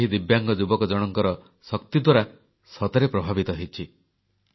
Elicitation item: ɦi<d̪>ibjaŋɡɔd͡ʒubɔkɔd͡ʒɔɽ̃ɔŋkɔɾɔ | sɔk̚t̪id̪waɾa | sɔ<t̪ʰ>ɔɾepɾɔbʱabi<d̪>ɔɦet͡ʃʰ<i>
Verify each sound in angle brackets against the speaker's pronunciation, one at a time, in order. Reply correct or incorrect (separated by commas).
correct, incorrect, incorrect, correct